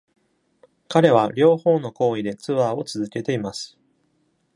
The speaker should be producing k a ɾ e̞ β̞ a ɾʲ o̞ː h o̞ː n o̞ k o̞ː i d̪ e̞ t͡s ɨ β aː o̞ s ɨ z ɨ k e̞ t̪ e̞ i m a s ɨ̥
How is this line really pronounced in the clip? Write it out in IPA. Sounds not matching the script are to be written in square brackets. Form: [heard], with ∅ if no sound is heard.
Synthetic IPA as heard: k a ɾ e̞ β̞ a ɾʲ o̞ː h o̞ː n o̞ k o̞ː i d̪ e̞ t͡s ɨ β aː o̞ [t͡s] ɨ z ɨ k e̞ t̪ e̞ i m a s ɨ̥